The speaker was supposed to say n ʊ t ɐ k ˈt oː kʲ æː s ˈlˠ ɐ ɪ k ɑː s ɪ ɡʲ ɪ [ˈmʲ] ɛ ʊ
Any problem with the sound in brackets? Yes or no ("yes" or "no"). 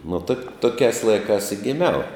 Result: no